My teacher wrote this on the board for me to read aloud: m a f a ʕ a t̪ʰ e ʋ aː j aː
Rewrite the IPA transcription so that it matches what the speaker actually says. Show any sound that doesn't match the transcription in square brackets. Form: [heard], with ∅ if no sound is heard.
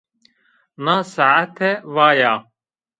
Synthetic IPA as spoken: [n] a [s] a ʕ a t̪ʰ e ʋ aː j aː